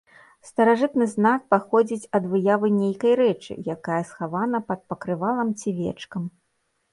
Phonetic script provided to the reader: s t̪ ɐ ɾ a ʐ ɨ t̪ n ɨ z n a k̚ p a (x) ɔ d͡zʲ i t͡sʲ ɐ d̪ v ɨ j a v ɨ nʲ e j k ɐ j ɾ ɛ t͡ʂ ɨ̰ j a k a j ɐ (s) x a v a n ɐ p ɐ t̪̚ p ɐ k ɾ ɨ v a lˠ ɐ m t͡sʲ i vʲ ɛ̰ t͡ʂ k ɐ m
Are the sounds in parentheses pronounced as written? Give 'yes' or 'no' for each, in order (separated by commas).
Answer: yes, yes